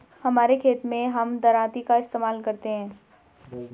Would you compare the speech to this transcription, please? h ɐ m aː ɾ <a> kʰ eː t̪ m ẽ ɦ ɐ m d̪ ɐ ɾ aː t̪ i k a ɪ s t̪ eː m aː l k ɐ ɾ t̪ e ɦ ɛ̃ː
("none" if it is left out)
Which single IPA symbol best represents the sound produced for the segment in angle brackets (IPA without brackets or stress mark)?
e